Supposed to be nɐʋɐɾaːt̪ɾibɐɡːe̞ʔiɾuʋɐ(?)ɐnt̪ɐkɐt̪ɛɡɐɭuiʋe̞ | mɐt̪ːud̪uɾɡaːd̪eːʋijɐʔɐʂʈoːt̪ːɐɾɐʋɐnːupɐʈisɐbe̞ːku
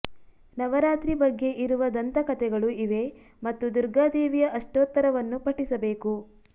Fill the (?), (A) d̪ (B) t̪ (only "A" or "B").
A